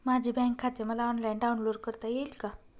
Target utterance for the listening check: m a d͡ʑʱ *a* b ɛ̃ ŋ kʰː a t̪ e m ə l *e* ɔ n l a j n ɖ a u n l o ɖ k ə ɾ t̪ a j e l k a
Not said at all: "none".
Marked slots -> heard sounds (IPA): i, a

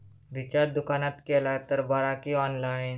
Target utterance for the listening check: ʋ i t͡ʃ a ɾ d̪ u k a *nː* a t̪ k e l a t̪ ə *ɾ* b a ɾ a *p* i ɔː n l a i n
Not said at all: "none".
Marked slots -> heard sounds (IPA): n, ɾ, k

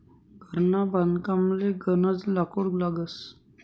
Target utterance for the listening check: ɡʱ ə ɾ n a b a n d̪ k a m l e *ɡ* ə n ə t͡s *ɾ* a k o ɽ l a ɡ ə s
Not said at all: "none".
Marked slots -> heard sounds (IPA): ɡ, l

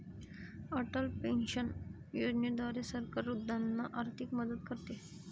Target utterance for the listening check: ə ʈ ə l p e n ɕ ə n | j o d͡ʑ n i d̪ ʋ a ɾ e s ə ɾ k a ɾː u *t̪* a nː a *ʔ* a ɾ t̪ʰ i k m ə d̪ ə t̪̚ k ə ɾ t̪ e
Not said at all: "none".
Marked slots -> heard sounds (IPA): d̪, ʔ

